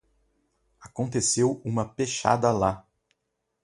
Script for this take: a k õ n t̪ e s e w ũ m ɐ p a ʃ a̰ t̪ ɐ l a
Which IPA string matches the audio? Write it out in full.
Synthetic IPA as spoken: a k õ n t̪ e s e w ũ m ɐ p e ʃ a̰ d̪ ɐ l a